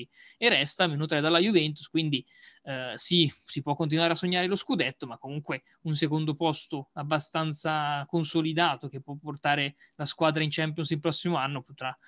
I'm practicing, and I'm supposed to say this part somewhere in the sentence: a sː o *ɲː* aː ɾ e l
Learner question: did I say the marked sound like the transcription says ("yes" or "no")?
yes